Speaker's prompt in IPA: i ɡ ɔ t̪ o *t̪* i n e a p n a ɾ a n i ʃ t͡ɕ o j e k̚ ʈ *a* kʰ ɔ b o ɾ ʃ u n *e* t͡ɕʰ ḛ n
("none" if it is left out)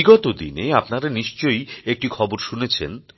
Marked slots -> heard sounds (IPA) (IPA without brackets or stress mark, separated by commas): d̪, i, e